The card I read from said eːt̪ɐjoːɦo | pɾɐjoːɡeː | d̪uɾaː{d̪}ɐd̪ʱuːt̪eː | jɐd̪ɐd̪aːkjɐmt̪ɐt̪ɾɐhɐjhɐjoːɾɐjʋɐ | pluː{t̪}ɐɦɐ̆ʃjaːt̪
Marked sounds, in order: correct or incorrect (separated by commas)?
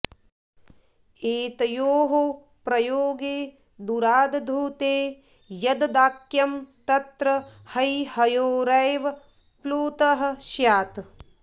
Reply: correct, correct